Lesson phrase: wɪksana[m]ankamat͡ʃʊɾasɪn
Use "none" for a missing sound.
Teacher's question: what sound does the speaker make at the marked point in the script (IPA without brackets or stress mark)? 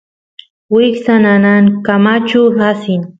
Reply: n